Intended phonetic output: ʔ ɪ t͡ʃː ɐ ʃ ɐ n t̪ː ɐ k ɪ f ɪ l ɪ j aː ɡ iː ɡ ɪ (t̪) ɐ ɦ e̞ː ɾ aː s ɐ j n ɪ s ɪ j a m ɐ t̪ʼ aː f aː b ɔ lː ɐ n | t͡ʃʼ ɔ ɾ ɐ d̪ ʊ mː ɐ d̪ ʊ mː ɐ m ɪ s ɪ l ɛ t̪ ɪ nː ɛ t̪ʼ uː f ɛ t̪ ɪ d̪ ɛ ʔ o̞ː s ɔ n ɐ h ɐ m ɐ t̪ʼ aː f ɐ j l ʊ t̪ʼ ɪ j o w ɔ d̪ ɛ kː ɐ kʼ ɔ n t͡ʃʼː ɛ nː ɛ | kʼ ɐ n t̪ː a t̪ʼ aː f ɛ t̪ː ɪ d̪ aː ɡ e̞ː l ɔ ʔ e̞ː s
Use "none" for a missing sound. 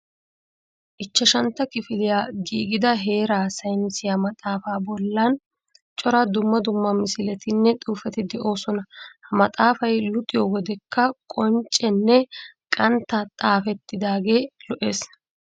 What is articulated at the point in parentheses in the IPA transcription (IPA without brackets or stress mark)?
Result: d̪